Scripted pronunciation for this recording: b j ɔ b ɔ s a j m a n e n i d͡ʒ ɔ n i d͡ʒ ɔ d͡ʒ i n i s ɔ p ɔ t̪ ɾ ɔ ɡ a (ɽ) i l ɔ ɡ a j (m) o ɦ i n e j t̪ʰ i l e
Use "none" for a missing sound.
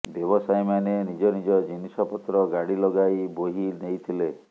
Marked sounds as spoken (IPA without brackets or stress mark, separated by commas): ɽ, b